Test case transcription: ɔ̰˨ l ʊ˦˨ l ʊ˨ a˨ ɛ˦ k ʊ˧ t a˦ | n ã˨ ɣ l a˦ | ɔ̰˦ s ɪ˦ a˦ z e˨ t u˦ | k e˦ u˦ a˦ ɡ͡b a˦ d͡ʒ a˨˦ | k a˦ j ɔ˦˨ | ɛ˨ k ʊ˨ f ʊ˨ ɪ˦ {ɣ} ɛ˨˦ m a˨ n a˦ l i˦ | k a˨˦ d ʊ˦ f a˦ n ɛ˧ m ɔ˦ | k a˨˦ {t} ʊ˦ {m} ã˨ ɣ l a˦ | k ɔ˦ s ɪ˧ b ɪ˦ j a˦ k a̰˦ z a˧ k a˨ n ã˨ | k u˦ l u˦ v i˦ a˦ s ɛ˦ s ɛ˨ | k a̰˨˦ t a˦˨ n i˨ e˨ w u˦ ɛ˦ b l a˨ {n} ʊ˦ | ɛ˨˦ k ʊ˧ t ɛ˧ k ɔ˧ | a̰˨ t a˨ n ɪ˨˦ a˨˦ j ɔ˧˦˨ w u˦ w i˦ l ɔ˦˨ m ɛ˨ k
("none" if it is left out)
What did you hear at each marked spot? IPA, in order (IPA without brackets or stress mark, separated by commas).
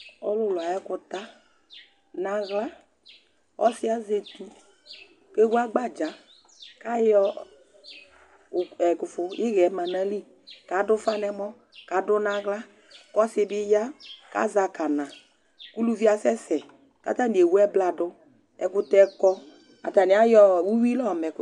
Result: ɣ, d, n, d